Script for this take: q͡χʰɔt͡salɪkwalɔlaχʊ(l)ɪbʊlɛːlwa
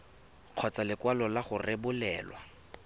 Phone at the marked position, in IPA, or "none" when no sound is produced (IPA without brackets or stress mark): r